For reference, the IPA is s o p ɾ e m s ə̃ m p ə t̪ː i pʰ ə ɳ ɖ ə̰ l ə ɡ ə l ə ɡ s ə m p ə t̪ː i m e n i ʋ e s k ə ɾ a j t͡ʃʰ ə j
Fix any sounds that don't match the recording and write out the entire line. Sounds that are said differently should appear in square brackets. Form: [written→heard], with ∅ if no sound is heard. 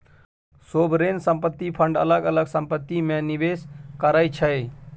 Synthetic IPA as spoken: s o [p→b] ɾ e [m→n] s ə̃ m p ə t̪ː i pʰ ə ɳ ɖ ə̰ l ə ɡ ə l ə ɡ s ə m p ə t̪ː i m e n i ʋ e s k ə ɾ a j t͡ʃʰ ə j